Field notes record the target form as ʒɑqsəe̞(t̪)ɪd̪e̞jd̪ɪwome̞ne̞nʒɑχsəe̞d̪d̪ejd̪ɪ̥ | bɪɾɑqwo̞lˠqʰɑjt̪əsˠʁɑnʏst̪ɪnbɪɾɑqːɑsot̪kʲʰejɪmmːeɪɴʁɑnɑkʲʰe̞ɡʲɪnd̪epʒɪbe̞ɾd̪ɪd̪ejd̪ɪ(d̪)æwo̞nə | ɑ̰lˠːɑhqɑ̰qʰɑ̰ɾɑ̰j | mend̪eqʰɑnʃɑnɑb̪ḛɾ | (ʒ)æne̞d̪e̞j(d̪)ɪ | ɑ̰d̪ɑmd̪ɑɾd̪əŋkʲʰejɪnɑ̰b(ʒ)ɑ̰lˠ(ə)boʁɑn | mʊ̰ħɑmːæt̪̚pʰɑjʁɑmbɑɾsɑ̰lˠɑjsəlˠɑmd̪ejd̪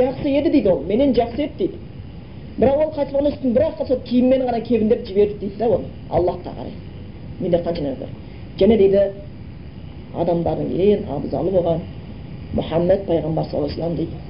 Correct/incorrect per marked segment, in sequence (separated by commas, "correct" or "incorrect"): incorrect, correct, correct, correct, incorrect, correct